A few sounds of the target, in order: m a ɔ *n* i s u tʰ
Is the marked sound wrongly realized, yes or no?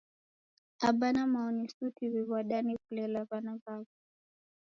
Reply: no